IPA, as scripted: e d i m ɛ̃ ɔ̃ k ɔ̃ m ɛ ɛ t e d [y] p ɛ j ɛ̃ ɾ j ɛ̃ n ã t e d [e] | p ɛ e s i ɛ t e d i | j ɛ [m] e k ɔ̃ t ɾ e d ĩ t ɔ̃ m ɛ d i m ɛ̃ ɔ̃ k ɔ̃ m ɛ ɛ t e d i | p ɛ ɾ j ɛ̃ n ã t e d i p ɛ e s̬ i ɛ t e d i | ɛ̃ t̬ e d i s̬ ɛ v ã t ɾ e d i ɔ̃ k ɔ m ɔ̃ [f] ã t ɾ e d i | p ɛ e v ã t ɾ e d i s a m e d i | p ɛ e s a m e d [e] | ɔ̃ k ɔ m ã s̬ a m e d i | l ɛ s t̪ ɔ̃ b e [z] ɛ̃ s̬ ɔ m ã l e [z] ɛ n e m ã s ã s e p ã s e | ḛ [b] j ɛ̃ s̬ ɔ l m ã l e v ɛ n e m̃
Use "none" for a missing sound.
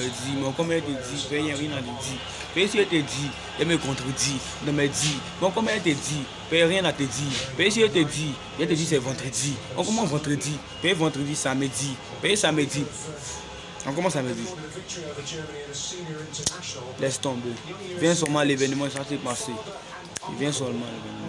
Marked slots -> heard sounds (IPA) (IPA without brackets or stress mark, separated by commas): i, i, m, v, i, v, v, v